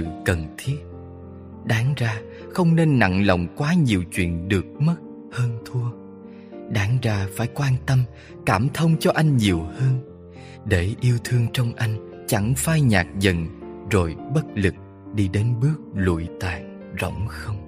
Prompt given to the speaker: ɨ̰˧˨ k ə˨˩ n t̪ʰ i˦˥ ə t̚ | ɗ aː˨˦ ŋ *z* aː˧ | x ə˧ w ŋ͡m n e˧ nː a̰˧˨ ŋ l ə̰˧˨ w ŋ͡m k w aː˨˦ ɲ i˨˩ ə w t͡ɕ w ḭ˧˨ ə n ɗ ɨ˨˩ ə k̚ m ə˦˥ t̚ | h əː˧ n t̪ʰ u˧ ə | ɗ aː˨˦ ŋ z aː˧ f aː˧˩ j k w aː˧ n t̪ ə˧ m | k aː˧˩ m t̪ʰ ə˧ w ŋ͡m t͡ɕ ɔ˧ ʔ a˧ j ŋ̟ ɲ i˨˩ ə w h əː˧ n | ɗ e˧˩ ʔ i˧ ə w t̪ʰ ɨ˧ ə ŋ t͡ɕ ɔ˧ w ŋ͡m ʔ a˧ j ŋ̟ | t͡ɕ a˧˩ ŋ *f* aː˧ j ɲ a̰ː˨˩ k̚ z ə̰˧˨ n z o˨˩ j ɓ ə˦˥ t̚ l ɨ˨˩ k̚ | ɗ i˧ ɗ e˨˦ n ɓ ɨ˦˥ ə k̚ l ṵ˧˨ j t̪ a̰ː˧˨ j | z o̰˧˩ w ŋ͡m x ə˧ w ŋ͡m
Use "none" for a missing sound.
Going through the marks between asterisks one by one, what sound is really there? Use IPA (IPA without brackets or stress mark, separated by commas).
z, f